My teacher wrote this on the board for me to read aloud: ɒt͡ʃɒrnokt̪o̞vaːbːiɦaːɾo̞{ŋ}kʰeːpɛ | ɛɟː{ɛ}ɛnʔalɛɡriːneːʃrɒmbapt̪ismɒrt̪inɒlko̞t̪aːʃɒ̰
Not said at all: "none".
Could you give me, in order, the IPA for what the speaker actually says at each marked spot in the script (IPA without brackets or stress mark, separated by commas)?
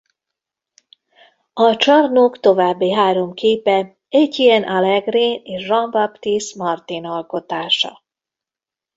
m, i